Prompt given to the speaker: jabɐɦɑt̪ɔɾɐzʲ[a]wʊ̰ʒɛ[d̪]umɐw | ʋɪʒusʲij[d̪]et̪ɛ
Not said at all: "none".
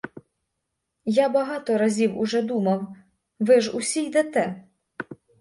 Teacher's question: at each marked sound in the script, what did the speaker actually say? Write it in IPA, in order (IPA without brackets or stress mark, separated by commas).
i, d̪, d̪